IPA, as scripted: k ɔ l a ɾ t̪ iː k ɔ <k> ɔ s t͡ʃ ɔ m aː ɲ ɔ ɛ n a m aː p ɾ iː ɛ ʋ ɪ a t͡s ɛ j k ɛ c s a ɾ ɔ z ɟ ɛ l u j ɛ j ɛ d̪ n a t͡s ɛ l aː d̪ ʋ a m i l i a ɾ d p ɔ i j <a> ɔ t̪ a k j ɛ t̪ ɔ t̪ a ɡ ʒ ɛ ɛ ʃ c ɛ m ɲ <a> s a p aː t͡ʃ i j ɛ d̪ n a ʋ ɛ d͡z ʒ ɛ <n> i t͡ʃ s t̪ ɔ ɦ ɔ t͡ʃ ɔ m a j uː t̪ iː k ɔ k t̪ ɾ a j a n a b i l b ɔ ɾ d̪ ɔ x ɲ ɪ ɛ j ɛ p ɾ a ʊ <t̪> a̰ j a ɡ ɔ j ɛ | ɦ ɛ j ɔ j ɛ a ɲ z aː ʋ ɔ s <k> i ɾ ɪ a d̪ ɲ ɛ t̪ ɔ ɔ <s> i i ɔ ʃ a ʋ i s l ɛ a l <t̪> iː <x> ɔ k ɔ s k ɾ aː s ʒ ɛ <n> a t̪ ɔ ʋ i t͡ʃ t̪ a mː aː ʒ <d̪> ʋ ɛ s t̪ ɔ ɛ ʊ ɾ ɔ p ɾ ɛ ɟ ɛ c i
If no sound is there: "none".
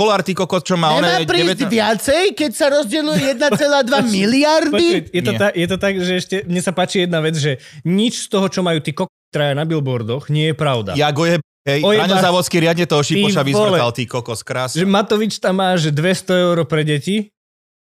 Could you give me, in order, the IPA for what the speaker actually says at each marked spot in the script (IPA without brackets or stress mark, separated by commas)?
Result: k, ɛ, ɛ, ɲ, d̪, k, ʃ, t̪, k, m, d̪